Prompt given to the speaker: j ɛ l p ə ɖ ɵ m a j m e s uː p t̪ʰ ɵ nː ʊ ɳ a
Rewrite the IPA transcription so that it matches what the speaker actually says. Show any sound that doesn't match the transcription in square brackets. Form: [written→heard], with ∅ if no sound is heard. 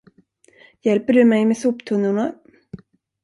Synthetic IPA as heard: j ɛ l p ə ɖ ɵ m [a→ɛ] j m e s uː p t̪ʰ ɵ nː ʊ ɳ a